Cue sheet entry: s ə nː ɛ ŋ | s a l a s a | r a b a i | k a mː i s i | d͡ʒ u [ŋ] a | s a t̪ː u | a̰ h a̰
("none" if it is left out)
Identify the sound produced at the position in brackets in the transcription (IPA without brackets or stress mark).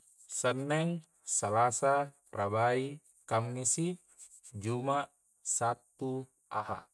m